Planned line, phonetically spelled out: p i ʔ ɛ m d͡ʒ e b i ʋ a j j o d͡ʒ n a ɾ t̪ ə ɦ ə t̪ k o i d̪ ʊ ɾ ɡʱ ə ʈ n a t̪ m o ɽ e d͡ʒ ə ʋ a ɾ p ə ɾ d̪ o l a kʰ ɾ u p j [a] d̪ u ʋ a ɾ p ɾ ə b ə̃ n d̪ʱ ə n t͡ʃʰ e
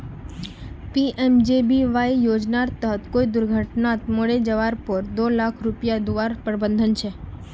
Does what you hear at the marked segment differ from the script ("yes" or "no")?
no